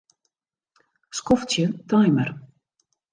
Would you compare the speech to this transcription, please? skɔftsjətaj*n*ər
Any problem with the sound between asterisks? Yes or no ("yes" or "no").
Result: yes